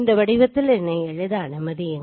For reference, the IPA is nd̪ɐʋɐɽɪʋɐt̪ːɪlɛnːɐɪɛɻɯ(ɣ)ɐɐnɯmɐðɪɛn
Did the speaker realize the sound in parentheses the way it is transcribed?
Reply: no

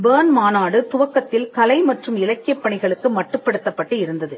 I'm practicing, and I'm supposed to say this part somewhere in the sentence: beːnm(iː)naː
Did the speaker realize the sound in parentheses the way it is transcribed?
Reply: no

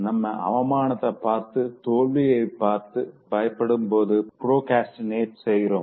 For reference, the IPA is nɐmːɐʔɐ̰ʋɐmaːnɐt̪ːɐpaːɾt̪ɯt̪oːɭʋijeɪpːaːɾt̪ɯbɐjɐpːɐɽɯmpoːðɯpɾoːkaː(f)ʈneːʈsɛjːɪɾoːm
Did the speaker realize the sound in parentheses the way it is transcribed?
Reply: no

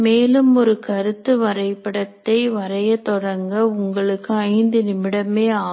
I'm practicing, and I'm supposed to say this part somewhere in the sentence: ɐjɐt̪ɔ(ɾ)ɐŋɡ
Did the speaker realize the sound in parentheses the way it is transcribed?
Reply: no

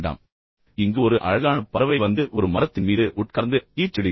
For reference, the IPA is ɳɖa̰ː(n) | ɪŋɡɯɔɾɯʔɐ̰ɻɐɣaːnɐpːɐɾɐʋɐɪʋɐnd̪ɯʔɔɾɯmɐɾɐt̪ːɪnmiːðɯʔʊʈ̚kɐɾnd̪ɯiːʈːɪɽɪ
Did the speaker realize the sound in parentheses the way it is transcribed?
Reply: no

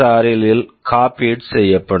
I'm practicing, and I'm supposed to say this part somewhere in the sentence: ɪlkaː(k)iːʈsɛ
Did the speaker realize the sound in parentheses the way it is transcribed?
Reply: no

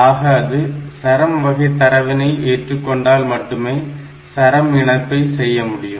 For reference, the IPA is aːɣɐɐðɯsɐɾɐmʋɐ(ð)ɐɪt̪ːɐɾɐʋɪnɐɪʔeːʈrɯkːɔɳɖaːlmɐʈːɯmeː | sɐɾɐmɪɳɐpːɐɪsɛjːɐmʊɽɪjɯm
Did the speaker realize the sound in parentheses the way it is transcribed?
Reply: no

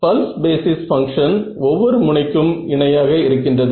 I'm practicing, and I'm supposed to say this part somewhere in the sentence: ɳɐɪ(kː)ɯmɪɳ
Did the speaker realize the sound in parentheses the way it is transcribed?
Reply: yes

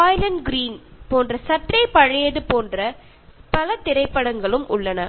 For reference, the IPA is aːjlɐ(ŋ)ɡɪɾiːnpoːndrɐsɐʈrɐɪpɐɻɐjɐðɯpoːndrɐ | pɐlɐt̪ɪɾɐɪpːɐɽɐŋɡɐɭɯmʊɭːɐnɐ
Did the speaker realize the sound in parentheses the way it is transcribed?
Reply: no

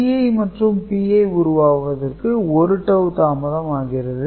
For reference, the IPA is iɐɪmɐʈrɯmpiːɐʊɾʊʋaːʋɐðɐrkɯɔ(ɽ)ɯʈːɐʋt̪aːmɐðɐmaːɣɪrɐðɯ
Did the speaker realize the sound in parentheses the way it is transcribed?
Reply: no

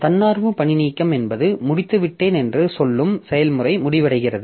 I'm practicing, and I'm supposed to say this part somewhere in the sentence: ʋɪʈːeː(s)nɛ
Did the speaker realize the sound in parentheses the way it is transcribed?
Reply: no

